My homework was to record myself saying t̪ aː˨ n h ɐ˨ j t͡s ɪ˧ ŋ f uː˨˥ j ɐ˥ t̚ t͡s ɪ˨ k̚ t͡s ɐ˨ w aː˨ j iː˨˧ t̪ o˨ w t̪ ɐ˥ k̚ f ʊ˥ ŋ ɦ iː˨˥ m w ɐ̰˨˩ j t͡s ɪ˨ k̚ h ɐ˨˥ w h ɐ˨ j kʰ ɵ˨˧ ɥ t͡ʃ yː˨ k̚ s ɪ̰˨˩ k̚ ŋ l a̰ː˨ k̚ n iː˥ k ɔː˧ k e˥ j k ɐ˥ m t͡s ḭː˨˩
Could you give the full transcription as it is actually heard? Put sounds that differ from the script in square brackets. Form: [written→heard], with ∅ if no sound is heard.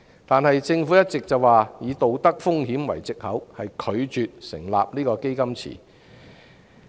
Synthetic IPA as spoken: t̪ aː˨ n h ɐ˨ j t͡s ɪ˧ ŋ f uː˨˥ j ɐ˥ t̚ t͡s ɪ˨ k̚ t͡s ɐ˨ w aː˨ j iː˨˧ t̪ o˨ w t̪ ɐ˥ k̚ f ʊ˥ ŋ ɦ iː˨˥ m w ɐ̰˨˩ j t͡s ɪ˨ k̚ h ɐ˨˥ w h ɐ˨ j kʰ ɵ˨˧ ɥ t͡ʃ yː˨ [k̚→t̚] s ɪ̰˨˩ [k̚→∅] ŋ l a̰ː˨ [k̚→p̚] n iː˥ k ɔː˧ k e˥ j k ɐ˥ m [t͡s→t͡sʰ] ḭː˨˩